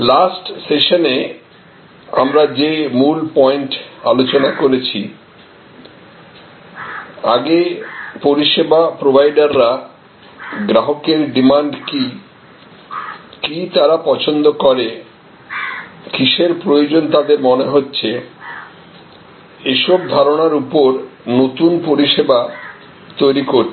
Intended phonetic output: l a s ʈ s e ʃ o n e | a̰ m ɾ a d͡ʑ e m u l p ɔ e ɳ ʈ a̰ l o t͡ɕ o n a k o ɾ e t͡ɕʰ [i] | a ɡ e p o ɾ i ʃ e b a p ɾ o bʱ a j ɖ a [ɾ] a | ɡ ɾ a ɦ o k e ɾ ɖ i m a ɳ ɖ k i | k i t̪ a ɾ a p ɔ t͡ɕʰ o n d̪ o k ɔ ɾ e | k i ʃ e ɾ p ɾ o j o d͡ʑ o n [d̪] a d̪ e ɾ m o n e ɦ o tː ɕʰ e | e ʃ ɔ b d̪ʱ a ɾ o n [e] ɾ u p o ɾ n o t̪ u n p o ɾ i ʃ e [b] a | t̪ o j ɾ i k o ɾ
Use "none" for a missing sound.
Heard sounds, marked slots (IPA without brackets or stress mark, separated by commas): i, ɾː, t̪, a, b